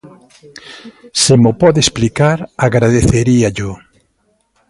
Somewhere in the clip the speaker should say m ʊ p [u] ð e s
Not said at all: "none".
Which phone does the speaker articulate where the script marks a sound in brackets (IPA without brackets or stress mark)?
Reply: ɔ